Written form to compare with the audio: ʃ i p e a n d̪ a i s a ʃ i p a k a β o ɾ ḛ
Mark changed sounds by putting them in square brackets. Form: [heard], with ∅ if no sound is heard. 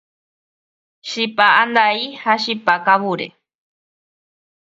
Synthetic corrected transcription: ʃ i p [a] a n d̪ a i [h] a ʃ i p a k a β [u] ɾ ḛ